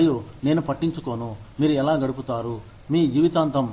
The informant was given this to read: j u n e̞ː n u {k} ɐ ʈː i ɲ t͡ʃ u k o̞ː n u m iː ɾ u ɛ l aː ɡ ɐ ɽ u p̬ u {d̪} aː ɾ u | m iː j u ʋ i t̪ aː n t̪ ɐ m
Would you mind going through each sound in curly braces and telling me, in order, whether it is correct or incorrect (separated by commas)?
incorrect, incorrect